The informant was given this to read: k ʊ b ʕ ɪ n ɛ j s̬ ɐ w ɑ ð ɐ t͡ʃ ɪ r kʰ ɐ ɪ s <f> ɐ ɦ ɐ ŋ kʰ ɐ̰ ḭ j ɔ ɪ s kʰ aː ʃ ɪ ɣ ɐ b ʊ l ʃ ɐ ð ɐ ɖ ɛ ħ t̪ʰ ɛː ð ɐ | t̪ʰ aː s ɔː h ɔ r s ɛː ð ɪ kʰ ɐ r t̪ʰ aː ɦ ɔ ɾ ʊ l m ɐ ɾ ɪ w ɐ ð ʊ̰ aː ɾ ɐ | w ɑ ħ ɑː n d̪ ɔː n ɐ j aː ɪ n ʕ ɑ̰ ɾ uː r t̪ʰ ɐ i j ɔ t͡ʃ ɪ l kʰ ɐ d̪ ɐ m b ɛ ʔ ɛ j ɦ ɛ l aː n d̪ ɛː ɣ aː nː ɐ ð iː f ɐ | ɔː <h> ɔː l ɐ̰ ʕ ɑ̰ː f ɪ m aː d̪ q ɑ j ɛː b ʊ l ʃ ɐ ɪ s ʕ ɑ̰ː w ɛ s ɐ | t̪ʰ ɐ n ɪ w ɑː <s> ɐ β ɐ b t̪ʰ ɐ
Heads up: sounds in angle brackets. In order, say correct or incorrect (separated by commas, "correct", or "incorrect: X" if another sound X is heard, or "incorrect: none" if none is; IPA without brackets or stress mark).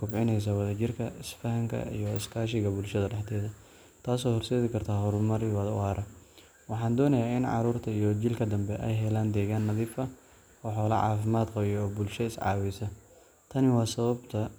correct, incorrect: ħ, correct